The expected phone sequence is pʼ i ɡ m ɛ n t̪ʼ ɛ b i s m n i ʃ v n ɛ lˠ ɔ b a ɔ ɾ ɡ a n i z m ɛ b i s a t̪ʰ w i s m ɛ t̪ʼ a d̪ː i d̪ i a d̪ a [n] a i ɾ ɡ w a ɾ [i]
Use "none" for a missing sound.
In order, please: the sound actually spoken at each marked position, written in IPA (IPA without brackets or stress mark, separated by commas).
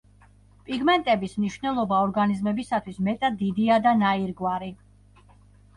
n, i